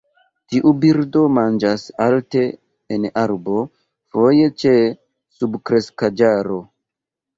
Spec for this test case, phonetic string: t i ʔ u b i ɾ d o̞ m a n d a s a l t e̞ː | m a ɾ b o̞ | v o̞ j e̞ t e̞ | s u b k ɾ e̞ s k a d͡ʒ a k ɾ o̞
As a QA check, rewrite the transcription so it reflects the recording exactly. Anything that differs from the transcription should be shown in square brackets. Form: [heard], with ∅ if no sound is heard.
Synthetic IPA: t i ʔ u b i ɾ d o̞ m a n [d͡ʒ] a s a l t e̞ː | [n] a ɾ b o̞ | [f] o̞ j e̞ [t͡ʃ] e̞ | s u b k ɾ e̞ s k a d͡ʒ a [∅] ɾ o̞